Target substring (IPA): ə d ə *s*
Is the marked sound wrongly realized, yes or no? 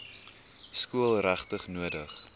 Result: yes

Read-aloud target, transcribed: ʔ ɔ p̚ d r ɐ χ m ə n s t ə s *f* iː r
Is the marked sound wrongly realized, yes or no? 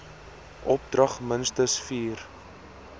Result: no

